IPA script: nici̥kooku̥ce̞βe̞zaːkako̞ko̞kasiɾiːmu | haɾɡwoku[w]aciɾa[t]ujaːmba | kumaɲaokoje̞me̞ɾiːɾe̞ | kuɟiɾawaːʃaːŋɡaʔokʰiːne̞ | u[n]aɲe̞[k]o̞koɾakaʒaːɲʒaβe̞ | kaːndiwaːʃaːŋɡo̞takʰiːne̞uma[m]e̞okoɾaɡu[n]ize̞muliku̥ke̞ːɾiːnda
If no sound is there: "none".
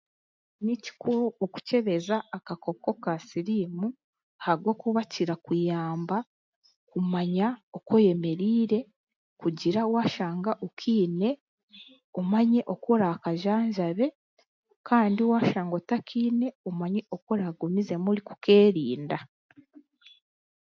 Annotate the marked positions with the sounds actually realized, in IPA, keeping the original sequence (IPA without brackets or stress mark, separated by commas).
β, k, m, ʔ, ɲ, m